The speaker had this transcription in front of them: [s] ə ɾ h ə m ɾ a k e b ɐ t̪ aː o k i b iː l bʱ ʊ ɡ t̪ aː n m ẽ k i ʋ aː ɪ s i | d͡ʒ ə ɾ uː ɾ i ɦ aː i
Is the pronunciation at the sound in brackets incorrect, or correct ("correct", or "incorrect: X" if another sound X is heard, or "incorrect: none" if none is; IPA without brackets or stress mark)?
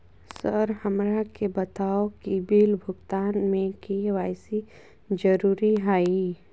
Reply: correct